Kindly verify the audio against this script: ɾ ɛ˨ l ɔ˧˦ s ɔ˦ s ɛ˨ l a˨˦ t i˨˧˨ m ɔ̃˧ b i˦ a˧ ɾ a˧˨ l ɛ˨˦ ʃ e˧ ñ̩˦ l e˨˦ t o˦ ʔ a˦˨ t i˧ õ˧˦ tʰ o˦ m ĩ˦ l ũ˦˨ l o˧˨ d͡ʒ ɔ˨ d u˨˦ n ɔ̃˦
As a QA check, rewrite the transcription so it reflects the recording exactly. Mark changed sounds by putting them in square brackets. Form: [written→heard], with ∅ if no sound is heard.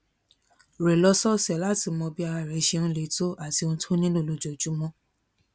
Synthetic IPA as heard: ɾ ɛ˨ l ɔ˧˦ s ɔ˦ s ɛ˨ l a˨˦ t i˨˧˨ m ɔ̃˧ b i˦ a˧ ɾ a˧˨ [l→ɾ] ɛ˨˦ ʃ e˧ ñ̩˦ l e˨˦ t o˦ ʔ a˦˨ t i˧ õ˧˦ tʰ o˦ [m→n] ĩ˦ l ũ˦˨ l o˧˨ d͡ʒ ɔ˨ [d→d͡ʒ] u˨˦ [n→m] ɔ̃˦